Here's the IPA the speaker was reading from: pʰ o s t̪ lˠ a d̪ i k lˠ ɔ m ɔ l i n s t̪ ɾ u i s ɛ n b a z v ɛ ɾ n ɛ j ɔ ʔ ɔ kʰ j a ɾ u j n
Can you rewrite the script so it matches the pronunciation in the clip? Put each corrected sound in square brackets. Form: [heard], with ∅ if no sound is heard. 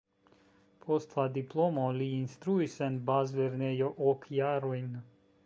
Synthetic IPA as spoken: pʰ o s t̪ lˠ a d̪ i [p] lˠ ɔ m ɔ l i n s t̪ ɾ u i s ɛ n b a z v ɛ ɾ n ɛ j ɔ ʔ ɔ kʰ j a ɾ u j n